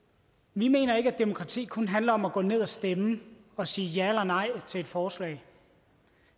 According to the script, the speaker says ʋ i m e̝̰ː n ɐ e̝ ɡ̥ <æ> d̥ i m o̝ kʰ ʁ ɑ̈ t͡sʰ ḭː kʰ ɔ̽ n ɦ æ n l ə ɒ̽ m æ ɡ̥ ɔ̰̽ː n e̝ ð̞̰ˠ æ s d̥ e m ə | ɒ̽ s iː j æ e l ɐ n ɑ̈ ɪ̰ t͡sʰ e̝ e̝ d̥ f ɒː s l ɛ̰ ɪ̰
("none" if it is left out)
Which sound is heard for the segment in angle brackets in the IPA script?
æ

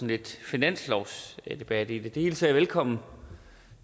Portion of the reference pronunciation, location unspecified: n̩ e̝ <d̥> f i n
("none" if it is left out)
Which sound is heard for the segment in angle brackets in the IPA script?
d̥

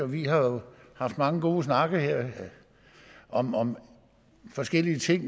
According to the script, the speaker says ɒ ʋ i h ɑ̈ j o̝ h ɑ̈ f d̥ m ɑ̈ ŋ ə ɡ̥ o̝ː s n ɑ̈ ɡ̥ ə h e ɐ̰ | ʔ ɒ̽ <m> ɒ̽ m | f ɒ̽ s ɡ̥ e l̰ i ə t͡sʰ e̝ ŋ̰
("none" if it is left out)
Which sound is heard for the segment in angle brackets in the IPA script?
m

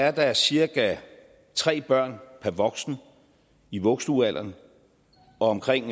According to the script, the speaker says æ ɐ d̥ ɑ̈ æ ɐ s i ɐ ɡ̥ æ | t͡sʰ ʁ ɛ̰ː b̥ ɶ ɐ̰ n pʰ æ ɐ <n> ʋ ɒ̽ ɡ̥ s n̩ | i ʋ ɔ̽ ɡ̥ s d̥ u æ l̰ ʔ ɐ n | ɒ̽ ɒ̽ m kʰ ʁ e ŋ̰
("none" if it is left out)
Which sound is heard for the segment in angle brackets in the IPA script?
none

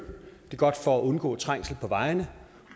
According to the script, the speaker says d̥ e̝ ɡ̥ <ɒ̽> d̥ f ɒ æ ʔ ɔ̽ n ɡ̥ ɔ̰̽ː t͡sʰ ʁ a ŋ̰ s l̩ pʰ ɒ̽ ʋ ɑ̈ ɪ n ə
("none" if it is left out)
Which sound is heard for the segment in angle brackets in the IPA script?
ɒ̽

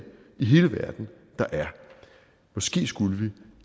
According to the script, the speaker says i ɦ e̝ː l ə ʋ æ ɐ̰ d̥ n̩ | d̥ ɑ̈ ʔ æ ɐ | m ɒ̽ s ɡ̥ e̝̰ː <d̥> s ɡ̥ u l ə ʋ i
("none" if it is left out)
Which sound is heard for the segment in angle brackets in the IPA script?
none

